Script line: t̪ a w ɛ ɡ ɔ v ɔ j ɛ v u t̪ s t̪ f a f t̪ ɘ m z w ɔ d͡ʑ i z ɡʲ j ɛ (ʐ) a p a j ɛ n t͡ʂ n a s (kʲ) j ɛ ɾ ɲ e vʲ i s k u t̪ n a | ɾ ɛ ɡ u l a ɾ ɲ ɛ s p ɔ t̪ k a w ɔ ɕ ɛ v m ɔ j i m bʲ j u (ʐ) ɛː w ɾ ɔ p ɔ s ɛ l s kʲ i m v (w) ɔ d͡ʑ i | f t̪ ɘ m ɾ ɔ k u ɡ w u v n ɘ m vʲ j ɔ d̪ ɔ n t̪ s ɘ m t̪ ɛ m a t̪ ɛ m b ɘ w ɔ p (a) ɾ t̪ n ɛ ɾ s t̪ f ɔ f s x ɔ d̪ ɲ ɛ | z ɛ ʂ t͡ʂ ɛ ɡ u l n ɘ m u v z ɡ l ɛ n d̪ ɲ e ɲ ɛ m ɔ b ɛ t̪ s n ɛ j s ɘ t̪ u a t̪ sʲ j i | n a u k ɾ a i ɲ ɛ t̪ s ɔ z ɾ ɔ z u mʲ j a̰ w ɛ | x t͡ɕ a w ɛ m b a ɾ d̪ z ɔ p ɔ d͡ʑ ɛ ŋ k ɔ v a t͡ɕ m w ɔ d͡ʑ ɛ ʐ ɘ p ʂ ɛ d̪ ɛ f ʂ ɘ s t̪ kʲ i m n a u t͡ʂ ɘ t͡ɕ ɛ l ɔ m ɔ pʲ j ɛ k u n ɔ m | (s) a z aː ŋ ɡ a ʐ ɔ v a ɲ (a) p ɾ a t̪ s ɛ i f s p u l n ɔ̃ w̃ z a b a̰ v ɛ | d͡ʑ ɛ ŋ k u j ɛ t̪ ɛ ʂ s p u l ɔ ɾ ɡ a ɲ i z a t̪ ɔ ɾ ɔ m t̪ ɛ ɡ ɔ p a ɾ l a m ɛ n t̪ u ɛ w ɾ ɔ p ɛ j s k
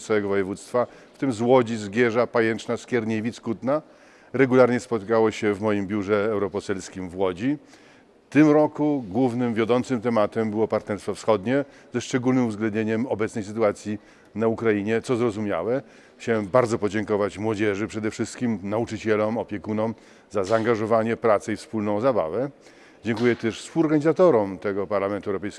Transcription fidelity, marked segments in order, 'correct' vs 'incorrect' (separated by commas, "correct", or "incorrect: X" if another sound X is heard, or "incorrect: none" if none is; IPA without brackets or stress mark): correct, correct, correct, correct, correct, incorrect: z, incorrect: ɛ